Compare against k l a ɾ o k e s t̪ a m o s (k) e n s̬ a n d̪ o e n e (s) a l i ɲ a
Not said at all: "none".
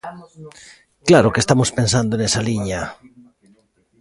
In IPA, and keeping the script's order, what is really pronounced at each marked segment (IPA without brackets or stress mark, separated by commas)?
p, s